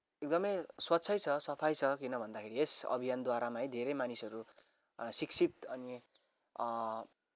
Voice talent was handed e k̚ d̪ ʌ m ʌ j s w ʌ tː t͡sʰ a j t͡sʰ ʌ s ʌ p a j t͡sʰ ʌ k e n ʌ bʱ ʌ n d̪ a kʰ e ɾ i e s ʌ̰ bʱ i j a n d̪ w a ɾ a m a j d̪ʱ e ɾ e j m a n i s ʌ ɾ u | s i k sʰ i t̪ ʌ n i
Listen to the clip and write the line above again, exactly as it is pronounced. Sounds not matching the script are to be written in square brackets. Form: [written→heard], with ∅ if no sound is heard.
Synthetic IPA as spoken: e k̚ d̪ ʌ m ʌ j s w ʌ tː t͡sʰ [a→ʌ] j t͡sʰ ʌ s ʌ [p→pʰ] a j t͡sʰ ʌ k [e→i] n ʌ bʱ ʌ n d̪ a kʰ e ɾ i e s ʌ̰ bʱ i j a n d̪ w a ɾ a m a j d̪ʱ e ɾ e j m a n i s ʌ ɾ u | s i k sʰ i t̪ ʌ n i